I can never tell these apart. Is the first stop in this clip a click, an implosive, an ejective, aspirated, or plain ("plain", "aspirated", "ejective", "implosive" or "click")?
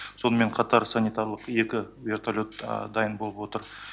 aspirated